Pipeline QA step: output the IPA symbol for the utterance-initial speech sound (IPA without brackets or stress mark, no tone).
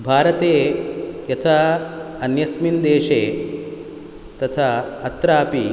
bʱ